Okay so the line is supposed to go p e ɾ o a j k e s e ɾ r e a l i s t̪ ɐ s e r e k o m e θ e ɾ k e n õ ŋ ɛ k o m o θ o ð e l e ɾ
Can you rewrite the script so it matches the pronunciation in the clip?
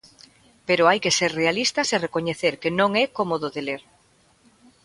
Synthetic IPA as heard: p e ɾ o a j k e s e ɾ r e a l i s t̪ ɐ s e r e k o ɲ e θ e ɾ k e n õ ŋ ɛ k o m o ð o ð e l e ɾ